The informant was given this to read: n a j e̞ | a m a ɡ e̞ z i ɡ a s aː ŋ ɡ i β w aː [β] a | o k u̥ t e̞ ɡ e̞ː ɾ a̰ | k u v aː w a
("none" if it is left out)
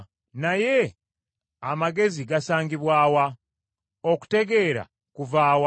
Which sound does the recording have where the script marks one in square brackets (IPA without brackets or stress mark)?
w